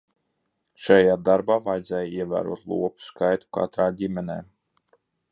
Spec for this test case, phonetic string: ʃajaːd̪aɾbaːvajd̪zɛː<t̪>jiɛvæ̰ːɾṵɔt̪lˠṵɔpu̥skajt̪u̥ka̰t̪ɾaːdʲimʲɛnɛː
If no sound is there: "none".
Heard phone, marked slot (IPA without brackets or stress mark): none